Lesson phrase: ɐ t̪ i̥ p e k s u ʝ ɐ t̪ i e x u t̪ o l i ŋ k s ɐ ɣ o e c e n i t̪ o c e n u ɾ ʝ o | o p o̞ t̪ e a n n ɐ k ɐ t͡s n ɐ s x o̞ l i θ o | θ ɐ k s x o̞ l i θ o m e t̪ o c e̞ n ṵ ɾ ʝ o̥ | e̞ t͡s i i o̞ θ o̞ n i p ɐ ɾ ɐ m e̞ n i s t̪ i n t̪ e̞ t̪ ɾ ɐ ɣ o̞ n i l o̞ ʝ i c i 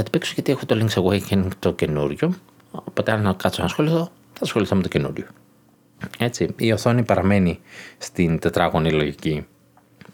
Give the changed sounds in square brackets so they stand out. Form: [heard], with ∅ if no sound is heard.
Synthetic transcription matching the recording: ɐ t̪ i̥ p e k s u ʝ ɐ t̪ i e x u t̪ o l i ŋ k s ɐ ɣ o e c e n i t̪ o c e n u ɾ ʝ o | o p o̞ t̪ e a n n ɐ k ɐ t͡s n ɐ s x o̞ l i θ o | θ ɐ [∅] s x o̞ l i θ o m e t̪ o c e̞ n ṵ ɾ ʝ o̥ | e̞ t͡s i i o̞ θ o̞ n i p ɐ ɾ ɐ m e̞ n i s t̪ i n t̪ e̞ t̪ ɾ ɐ ɣ o̞ n i l o̞ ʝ i c i